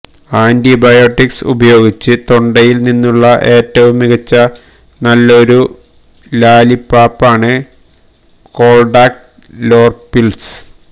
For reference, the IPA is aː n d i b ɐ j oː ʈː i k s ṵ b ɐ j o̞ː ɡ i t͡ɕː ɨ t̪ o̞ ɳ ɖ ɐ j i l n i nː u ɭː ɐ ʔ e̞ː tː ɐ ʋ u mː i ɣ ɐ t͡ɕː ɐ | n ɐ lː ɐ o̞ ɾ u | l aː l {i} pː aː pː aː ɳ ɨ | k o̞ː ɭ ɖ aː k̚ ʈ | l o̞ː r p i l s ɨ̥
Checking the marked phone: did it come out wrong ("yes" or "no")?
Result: no